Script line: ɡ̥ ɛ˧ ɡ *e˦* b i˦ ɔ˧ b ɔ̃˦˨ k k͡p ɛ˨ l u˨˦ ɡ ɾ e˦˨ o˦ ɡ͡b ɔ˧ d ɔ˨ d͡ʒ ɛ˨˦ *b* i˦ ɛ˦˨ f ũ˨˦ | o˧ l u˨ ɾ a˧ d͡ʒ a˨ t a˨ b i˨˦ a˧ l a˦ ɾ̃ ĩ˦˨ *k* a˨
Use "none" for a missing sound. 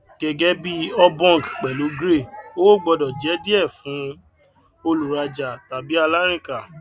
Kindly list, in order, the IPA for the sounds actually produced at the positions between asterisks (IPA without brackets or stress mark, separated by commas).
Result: ɛ˦, d, k